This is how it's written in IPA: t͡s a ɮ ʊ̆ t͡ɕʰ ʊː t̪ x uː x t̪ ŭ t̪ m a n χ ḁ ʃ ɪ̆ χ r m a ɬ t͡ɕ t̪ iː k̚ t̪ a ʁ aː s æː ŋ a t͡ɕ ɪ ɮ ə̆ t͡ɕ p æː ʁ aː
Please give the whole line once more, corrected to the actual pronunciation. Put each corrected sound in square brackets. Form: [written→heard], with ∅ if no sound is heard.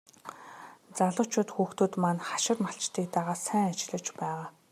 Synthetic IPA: t͡s a ɮ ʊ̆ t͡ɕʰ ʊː t̪ x uː x t̪ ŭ t̪ m a n χ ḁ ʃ ɪ̆ [χ→∅] r m a ɬ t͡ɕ t̪ iː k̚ t̪ a ʁ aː s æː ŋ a t͡ɕ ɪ ɮ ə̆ t͡ɕ p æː ʁ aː